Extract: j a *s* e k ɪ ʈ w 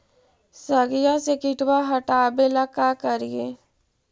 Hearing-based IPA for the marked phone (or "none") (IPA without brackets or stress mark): s